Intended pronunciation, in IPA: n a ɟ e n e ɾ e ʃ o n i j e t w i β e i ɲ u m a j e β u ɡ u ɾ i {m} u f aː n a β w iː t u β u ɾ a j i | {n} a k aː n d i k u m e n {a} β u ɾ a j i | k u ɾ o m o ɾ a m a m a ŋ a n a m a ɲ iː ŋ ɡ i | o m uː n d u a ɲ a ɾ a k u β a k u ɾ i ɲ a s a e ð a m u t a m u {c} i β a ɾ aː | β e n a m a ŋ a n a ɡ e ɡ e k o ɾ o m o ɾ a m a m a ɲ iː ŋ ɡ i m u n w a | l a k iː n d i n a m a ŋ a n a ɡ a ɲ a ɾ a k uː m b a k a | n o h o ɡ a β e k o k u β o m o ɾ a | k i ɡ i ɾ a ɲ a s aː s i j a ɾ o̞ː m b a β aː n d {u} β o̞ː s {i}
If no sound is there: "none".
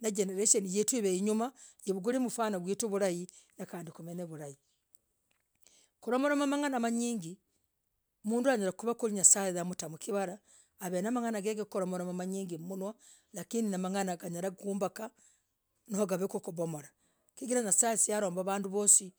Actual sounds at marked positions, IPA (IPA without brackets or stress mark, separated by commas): m, n, e, k, u, i